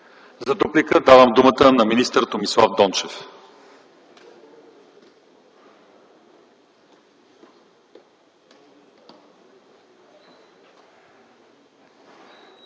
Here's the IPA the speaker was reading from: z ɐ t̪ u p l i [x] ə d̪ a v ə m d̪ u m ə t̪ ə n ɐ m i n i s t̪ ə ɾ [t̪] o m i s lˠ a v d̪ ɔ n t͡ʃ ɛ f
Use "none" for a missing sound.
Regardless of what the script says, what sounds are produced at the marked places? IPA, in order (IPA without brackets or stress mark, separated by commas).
k, t̪